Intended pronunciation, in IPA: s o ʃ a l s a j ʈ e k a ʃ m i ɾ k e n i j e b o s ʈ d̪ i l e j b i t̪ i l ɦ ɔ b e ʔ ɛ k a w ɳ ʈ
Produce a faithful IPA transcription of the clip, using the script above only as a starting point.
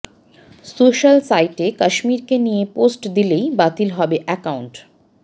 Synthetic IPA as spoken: s o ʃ a l s a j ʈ e k a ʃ m i ɾ k e n i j e p o s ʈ d̪ i l e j b a t̪ i l ɦ ɔ b e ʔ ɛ k a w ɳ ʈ

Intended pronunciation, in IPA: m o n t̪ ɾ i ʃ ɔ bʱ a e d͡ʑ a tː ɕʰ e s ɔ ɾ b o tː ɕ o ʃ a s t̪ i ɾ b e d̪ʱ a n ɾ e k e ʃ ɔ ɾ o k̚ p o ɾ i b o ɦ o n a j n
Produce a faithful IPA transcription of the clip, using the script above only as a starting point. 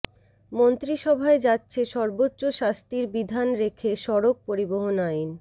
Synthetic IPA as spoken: m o n t̪ ɾ i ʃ ɔ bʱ a e d͡ʑ a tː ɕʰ e ʃ ɔ ɾ b o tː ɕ o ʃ a s t̪ i ɾ b i d̪ʱ a n ɾ e kʰ e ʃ ɔ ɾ o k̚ p o ɾ i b o ɦ o n a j n

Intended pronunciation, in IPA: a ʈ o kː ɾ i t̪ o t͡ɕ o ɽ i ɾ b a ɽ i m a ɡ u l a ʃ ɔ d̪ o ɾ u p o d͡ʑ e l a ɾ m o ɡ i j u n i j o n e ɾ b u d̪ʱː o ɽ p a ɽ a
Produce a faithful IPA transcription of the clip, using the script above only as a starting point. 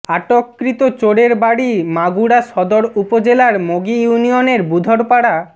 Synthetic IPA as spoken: a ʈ o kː ɾ i t̪ o t͡ɕ o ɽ e ɾ b a ɽ i m a ɡ u ɽ a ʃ ɔ d̪ o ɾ u p o d͡ʑ e l a ɾ m o ɡ i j u n i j o n e ɾ b u d̪ʱ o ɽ p a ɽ a

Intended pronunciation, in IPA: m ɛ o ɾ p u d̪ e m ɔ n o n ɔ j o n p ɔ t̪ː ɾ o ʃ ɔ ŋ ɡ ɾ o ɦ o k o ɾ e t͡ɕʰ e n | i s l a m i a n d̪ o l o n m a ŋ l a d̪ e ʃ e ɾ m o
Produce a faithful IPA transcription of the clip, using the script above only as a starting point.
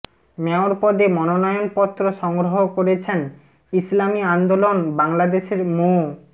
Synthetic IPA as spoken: m ɛ o ɾ p ɔ d̪ e m ɔ n o n ɔ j o n p ɔ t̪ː ɾ o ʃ ɔ ŋ ɡ ɾ o ɦ o k o ɾ e t͡ɕʰ e n | i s l a m i a n d̪ o l o n b a ŋ l a d̪ e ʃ e ɾ m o

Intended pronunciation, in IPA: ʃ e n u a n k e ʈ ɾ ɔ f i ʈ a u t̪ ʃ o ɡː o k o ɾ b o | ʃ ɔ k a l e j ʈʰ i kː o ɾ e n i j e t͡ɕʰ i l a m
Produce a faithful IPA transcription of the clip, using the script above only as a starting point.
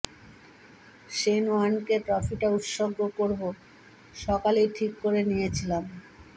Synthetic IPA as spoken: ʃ e n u a n k e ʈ ɾ ɔ f i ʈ a u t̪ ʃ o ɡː o k o ɾ b o | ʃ ɔ k a l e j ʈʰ i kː o ɾ e n i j e t͡ɕʰ i l a m

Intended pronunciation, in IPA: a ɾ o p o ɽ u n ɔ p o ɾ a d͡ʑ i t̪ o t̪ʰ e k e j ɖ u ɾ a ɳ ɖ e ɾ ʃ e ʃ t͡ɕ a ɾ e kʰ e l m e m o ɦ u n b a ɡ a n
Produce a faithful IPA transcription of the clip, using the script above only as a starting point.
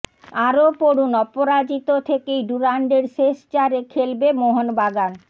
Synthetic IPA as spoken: a ɾ o p o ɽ u n ɔ p o ɾ a d͡ʑ i t̪ o t̪ʰ e k e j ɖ u ɾ a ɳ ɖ e ɾ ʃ e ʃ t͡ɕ a ɾ e kʰ e l b e m o ɦ o n b a ɡ a n

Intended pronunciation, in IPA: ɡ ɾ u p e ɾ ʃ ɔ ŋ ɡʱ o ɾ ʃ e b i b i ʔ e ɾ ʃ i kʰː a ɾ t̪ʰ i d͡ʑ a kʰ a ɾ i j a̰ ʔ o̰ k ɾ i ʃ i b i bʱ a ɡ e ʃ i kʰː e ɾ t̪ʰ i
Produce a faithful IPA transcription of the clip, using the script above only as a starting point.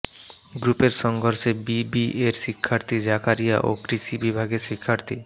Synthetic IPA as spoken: ɡ ɾ u p e ɾ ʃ ɔ ŋ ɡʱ o ɾ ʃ e b i b i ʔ e ɾ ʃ i kʰː a ɾ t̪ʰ i d͡ʑ a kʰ a ɾ i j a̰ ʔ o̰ k ɾ i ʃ i b i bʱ a ɡ e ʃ i kʰː a ɾ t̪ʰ i

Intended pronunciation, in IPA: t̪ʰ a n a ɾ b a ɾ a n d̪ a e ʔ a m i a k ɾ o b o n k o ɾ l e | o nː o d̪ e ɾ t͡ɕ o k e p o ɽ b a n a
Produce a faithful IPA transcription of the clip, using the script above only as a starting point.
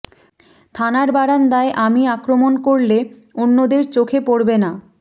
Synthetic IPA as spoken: t̪ʰ a n a ɾ b a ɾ a n d̪ a e ʔ a m i a k ɾ o m o n k o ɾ l e | o nː o d̪ e ɾ t͡ɕ o kʰ e p o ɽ b e n a

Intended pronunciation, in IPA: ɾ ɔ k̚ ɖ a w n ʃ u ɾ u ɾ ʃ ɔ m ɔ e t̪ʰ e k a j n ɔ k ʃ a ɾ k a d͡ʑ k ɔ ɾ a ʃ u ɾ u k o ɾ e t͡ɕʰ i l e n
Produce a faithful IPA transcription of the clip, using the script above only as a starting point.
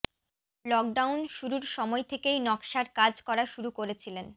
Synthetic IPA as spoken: l ɔ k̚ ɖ a w n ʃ u ɾ u ɾ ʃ ɔ m ɔ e t̪ʰ e k e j n ɔ k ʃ a ɾ k a d͡ʑ k ɔ ɾ a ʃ u ɾ u k o ɾ e t͡ɕʰ i l e n

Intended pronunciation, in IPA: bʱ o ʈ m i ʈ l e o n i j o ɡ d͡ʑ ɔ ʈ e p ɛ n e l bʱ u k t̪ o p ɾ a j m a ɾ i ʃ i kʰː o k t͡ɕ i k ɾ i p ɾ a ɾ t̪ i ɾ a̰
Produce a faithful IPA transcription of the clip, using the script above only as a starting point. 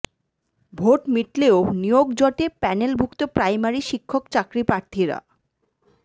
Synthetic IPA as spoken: bʱ o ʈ m i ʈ l e o n i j o ɡ d͡ʑ ɔ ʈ e p ɛ n e l bʱ u k t̪ o p ɾ a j m a ɾ i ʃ i kʰː o k t͡ɕ a k ɾ i p ɾ a ɾ t̪ʰ i ɾ a̰

